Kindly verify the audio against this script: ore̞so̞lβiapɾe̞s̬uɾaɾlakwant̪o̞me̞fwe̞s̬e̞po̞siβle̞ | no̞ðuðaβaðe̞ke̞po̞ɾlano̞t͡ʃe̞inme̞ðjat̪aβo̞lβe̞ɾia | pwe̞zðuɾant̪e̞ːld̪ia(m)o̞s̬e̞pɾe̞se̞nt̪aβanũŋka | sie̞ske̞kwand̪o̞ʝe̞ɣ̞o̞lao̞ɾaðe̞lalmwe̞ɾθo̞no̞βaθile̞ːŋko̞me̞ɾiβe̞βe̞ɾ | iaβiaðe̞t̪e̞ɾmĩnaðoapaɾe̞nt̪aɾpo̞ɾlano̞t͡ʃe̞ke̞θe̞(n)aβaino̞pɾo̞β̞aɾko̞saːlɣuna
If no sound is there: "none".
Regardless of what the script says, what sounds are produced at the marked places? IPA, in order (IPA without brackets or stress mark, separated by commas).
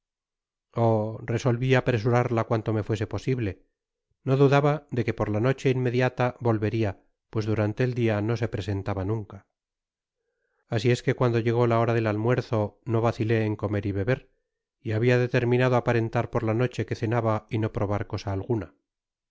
n, n